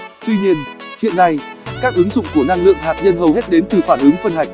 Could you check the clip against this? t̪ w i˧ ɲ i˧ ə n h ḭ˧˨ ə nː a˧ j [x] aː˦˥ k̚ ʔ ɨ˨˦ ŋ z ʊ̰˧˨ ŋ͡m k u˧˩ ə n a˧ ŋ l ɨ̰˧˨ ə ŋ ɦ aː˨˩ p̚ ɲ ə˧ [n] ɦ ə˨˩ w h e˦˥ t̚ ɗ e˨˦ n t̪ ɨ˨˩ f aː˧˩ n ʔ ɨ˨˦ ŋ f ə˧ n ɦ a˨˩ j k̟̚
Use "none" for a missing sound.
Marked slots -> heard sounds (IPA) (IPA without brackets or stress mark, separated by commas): k, n